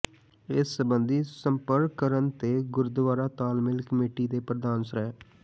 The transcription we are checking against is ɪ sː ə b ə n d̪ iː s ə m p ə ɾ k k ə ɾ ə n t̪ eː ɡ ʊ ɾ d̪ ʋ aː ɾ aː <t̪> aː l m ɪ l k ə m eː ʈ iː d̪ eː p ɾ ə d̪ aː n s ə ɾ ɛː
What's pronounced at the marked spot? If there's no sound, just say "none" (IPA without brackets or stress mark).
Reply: t̪